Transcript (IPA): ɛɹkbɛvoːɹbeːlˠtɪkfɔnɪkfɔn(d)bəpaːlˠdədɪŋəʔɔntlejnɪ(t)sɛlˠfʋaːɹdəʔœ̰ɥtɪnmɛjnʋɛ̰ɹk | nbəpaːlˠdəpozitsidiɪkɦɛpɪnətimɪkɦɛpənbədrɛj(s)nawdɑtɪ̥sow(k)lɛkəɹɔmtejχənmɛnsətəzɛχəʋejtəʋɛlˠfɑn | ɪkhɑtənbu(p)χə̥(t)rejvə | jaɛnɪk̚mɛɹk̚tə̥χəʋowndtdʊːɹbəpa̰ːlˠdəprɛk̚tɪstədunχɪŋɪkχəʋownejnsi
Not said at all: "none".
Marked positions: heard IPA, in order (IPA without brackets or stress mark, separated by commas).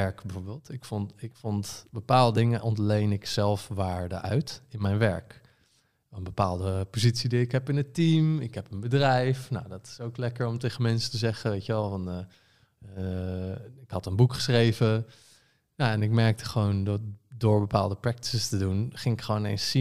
t, k, f, k, k, s